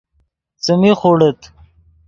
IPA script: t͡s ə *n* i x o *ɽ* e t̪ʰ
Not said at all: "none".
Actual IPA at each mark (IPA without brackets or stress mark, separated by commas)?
m, ɽ